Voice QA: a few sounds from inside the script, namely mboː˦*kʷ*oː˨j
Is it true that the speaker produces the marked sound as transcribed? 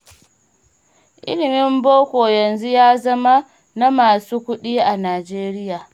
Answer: yes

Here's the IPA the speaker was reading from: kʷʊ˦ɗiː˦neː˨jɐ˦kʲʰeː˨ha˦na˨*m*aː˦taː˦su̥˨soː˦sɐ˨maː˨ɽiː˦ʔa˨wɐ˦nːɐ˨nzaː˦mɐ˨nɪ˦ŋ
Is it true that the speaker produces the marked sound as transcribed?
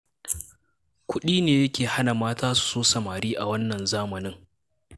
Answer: yes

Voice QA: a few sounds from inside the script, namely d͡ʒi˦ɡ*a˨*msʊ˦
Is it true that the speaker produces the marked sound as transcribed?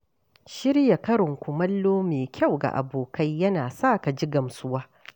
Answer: no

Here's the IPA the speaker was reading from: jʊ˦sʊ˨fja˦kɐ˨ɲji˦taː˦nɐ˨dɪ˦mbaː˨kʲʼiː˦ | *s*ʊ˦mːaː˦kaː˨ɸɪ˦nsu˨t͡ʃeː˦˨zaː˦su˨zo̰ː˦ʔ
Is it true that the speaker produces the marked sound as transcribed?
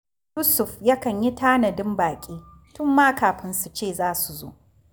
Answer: no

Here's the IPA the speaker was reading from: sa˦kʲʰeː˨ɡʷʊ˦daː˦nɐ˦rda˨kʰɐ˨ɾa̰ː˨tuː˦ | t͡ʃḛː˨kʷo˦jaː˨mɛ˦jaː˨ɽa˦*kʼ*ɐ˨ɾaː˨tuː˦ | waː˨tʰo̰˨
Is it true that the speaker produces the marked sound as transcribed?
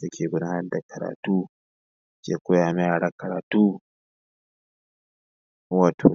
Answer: no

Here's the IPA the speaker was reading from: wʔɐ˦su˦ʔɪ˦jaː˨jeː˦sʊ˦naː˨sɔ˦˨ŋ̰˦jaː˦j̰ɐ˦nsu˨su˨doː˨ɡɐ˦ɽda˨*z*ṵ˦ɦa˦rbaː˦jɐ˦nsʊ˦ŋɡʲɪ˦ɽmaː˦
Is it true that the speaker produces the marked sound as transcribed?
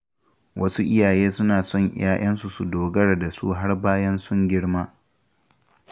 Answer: no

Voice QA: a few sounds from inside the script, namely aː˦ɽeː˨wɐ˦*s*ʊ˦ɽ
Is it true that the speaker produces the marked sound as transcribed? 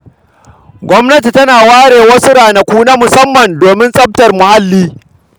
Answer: yes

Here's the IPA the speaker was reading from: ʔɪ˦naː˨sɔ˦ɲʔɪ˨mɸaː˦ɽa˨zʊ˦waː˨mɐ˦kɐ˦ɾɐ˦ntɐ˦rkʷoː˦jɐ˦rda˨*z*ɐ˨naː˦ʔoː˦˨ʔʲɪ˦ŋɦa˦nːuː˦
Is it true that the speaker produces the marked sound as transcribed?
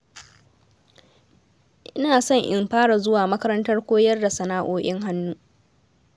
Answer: no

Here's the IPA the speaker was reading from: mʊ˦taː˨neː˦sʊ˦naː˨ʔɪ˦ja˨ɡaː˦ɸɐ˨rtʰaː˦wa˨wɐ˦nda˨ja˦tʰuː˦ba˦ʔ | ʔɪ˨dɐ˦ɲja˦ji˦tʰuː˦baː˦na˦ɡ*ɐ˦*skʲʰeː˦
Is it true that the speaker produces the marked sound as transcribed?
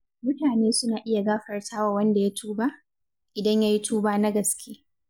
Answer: no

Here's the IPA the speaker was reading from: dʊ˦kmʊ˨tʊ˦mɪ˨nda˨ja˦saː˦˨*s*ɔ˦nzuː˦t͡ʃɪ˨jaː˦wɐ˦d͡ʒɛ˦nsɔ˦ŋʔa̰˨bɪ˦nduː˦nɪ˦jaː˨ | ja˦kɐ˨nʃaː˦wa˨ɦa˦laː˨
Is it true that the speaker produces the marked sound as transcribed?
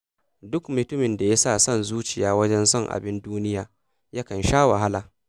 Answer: yes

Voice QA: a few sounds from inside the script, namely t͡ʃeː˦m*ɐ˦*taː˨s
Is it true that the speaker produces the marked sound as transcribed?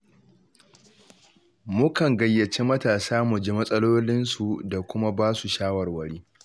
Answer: yes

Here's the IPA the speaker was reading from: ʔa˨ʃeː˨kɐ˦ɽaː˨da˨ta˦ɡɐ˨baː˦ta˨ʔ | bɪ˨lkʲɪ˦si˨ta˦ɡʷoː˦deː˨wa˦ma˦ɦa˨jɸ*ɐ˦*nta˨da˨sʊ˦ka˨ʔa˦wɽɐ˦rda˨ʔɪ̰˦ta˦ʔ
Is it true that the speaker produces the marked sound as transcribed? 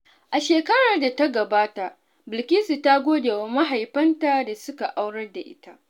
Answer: yes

